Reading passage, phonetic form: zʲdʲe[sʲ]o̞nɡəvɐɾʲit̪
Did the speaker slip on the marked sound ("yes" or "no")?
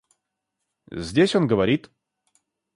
no